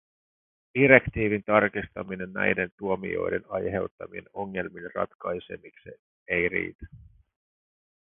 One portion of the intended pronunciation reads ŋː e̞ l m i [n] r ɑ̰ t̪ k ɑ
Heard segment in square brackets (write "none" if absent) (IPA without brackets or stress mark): n